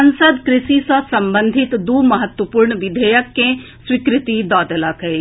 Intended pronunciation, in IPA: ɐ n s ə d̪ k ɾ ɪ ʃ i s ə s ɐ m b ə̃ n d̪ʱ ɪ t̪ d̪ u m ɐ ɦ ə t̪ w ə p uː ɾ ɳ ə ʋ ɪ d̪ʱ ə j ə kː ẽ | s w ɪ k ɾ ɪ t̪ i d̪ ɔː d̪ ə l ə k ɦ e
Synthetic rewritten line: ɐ n s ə d̪ k ɾ ɪ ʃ i s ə s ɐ m b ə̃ n d̪ʱ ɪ t̪ d̪ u m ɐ ɦ ə t̪ w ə p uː ɾ ɳ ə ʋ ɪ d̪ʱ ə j ə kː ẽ | s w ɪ k ɾ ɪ t̪ i d̪ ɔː d̪ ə l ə k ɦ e